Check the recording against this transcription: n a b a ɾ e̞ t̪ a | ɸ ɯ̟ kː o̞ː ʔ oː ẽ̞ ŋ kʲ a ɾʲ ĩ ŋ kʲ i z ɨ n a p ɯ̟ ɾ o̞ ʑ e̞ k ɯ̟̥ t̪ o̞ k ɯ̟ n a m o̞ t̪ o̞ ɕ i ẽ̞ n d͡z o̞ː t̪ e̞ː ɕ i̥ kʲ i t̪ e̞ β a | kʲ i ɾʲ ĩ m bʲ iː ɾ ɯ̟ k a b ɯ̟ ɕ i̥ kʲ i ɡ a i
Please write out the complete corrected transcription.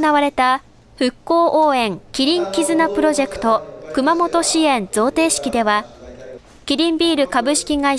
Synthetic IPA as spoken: n a β a ɾ e̞ t̪ a | ɸ ɯ̟ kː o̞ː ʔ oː ẽ̞ ŋ kʲ i ɾʲ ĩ ŋ kʲ i z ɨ n a p ɯ̟ ɾ o̞ ʑ e̞ k ɯ̟̥ t̪ o̞ k ɯ̟ m a m o̞ t̪ o̞ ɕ i ẽ̞ n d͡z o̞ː t̪ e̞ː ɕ i̥ kʲ i d̪ e̞ β a | kʲ i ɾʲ ĩ m bʲ iː ɾ ɯ̟ k a b ɯ̟ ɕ i̥ kʲ i ɡ a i